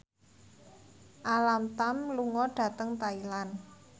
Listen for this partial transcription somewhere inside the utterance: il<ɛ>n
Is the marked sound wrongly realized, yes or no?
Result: yes